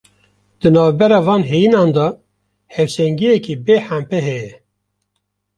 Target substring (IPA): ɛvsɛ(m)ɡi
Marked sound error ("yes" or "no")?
yes